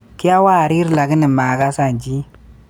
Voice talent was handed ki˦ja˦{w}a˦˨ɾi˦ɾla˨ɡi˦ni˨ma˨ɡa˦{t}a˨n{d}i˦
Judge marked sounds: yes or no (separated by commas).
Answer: yes, no, no